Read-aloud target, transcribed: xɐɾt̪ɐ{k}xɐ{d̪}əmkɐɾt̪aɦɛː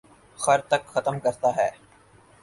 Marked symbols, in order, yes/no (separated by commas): yes, no